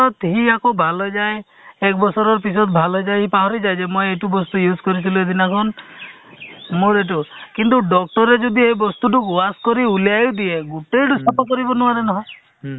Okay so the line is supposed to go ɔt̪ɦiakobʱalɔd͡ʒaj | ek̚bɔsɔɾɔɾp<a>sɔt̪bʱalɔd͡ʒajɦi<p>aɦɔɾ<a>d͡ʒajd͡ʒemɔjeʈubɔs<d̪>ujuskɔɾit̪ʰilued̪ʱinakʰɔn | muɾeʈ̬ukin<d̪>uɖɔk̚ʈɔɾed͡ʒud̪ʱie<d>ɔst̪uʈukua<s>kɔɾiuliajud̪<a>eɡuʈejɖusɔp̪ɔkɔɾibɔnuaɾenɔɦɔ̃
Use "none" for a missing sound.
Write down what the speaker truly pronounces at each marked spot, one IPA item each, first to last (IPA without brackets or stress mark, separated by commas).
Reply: i, p, i, t̪, t̪, b, s, i